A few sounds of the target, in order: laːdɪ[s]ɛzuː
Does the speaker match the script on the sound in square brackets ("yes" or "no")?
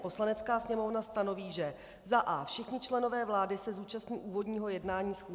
yes